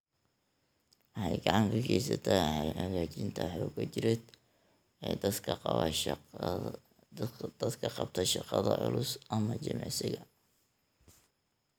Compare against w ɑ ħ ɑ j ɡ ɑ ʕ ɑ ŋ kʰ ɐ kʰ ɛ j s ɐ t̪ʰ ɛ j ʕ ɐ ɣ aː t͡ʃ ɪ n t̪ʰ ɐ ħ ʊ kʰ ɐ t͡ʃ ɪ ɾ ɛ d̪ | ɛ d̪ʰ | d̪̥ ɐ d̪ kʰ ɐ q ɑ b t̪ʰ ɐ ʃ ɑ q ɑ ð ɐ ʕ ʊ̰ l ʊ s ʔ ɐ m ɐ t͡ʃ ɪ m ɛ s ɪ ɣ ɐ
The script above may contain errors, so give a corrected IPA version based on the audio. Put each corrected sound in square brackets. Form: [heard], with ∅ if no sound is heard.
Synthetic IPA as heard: w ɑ ħ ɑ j ɡ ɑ ʕ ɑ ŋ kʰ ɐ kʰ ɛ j s ɐ t̪ʰ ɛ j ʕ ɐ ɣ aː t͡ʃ ɪ n t̪ʰ ɐ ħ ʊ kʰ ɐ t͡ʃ ɪ ɾ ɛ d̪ | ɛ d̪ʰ | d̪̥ ɐ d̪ kʰ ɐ q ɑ b t̪ʰ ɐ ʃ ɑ q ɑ ð ɐ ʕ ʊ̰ l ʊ s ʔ ɐ m ɐ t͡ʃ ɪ m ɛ s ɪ ɣ ɐ